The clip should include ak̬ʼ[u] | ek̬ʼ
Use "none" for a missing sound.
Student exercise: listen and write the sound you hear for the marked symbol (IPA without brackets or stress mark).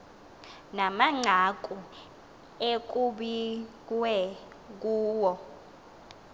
u